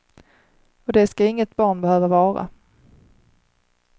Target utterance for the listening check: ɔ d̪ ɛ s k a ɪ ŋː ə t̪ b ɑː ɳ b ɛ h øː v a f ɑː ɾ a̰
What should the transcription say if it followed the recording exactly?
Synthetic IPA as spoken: ɔ d̪ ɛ s k a ɪ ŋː ə t̪ b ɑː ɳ b ɛ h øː v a v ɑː ɾ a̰